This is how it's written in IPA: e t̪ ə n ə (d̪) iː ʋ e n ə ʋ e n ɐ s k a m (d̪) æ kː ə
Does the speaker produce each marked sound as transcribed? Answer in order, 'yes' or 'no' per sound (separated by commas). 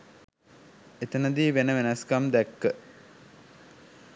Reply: yes, yes